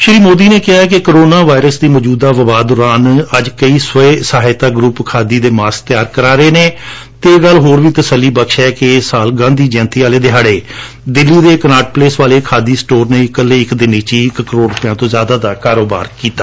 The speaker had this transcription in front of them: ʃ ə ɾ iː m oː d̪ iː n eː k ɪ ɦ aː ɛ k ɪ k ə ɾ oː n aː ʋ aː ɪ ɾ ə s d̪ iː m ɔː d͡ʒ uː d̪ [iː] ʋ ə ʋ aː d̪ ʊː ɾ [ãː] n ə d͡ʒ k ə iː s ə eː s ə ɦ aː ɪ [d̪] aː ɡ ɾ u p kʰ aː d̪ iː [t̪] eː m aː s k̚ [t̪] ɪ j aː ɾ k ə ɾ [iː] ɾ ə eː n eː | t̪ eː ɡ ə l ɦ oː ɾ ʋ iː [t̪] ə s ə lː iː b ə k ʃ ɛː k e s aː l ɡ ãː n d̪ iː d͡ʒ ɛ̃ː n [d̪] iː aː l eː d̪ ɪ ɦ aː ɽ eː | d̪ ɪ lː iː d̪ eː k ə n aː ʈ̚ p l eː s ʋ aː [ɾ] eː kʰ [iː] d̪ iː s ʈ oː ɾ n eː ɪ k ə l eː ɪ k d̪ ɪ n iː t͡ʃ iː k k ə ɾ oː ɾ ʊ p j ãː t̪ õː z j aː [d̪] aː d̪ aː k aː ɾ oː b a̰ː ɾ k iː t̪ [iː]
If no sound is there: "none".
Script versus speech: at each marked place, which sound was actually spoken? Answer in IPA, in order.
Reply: aː, aː, t̪, d̪, t̪, aː, t̪, t̪, l, aː, d̪, aː

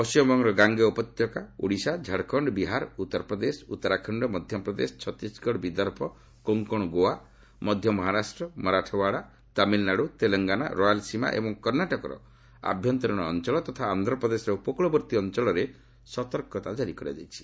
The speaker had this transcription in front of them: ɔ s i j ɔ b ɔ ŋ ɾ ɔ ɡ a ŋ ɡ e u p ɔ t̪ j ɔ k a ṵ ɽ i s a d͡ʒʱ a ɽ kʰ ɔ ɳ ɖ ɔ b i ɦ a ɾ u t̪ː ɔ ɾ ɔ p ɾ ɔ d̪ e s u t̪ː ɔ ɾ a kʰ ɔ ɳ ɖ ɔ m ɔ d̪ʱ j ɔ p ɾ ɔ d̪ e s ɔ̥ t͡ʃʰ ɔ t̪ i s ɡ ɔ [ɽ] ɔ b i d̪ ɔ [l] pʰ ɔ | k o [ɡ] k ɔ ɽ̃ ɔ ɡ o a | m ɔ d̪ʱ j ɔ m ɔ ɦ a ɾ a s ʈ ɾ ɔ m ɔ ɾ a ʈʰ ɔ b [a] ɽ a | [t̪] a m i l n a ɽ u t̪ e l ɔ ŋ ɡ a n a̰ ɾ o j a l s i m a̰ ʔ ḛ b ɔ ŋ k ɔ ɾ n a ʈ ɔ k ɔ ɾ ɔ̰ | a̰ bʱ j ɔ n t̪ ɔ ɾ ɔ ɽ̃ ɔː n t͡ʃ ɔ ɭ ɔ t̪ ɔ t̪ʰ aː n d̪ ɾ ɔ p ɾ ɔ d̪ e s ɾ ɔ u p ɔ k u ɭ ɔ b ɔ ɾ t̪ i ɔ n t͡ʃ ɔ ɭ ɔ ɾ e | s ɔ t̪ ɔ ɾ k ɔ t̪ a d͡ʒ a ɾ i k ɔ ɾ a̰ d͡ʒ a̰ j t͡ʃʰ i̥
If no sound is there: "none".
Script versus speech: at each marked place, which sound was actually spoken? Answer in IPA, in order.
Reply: ɽ, ɾ, ŋ, a, t̪

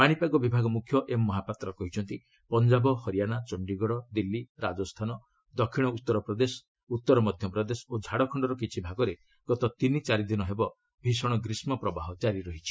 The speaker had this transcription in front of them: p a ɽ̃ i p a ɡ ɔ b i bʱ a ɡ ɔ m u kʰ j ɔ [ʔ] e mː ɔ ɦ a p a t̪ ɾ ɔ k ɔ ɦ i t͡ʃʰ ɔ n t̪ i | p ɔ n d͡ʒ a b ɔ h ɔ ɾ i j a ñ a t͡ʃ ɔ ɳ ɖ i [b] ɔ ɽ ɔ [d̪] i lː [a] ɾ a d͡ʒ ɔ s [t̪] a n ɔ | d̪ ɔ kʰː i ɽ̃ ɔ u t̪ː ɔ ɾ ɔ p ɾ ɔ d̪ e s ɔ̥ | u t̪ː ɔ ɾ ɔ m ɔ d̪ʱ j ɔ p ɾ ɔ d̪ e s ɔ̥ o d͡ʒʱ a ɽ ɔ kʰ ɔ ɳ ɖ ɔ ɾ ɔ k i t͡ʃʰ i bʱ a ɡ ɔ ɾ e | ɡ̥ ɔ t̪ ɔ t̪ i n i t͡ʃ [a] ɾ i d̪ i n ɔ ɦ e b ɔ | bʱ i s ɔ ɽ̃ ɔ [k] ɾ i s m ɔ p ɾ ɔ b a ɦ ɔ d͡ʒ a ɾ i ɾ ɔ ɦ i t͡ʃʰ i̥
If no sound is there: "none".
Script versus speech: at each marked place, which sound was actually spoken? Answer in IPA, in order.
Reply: ʔ, ɡ, d̪, i, t̪ʰ, a, ɡ

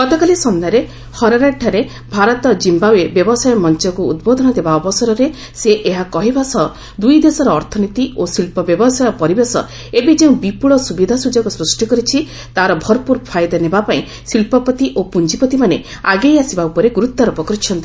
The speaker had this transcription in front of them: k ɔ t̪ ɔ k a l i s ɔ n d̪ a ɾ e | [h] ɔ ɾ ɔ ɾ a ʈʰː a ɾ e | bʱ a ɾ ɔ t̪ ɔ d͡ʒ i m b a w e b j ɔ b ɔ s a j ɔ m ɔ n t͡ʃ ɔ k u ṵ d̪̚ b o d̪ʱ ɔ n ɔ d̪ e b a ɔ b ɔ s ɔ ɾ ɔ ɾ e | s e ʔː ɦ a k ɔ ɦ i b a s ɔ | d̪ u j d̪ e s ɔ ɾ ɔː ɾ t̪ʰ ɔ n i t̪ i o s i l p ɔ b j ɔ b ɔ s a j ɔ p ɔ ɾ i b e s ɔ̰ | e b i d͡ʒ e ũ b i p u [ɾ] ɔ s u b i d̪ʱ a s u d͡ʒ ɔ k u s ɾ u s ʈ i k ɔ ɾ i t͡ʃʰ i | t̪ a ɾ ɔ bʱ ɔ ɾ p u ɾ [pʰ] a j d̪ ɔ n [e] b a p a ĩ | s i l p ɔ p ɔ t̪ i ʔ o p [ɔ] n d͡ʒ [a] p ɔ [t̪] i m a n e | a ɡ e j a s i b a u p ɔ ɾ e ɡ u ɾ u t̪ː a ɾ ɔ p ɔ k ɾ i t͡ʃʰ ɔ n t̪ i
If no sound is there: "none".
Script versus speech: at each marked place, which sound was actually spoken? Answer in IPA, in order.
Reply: h, ɭ, pʰ, e, u, i, t̪

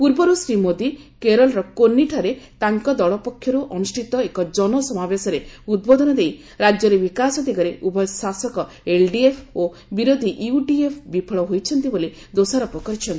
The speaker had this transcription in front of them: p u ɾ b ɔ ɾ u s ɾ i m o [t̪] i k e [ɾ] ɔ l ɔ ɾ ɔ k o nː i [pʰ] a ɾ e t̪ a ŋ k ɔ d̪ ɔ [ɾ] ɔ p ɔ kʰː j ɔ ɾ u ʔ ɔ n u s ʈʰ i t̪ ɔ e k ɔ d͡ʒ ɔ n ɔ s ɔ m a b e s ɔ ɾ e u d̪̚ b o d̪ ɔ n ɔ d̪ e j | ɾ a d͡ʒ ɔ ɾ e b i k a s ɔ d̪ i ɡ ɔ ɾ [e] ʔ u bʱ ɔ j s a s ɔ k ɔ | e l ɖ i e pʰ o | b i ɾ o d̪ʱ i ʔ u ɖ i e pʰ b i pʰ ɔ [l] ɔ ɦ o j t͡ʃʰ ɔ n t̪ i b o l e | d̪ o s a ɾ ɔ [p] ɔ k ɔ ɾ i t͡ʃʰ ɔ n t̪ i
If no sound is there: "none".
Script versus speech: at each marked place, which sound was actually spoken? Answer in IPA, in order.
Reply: d̪, ɾ, ʈʰ, ɭ, e, ɭ, p

